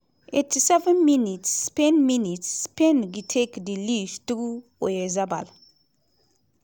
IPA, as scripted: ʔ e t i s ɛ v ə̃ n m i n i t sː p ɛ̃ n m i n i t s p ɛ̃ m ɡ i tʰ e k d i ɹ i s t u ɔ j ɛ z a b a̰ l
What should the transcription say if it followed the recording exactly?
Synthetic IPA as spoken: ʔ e t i s ɛ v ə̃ n m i n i t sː p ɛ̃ n m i n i t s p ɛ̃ n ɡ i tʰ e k d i l i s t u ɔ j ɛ z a b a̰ l